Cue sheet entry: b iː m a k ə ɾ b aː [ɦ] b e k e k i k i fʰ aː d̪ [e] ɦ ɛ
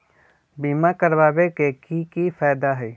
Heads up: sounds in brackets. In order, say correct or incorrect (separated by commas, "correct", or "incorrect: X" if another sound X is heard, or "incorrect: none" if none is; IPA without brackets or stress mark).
incorrect: none, incorrect: a